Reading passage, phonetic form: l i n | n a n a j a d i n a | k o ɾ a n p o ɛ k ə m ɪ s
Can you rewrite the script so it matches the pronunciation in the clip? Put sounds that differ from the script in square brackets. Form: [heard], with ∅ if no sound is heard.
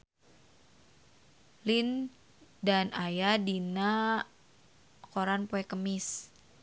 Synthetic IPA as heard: l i n | [d] a n a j a d i n a | k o ɾ a n p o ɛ k ə m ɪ s